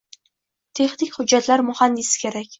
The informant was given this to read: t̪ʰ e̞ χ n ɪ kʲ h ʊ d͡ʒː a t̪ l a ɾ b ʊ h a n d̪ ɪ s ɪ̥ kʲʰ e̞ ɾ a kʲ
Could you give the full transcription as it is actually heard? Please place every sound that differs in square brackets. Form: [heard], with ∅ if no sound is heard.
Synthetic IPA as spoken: t̪ʰ e̞ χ n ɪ kʲ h ʊ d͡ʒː a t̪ l a ɾ [m] ʊ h a n d̪ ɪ s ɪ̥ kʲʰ e̞ ɾ a kʲ